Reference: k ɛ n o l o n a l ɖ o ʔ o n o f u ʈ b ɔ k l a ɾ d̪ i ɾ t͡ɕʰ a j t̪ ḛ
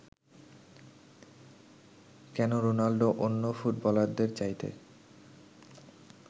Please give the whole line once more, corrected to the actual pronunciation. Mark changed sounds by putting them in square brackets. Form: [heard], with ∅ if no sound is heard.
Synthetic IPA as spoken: k ɛ n o [ɾ] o n a l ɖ o ʔ o [nː] o f u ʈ b ɔ [∅] l a ɾ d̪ [e] ɾ [t͡ɕ] a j t̪ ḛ